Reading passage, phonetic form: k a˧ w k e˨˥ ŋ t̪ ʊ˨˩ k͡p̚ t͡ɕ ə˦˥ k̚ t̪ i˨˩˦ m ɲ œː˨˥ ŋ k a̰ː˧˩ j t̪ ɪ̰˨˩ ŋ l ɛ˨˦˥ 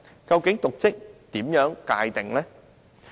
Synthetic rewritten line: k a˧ w k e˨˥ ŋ t̪ ʊ˨˩ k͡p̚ t͡ɕ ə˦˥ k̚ t̪ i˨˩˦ m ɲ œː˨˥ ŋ k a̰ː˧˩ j t̪ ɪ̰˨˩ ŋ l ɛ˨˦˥